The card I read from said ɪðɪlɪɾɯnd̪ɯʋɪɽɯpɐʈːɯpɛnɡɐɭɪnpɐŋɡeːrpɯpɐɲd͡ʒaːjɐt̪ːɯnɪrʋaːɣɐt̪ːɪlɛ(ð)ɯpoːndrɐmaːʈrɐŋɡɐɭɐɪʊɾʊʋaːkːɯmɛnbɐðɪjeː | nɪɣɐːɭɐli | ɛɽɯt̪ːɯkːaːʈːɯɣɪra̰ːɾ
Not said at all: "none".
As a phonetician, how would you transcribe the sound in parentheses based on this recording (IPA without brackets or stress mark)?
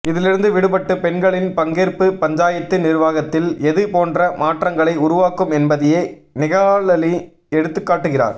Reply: ð